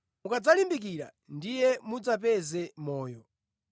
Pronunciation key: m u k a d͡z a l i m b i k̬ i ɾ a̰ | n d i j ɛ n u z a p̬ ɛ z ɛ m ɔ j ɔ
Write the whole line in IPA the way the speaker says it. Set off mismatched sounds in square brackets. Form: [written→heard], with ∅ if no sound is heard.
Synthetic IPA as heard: m u k a d͡z a l i m b i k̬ i ɾ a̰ | n d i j ɛ [n→m] u [z→d͡z] a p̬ ɛ z ɛ m [ɔ→ɔː] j ɔ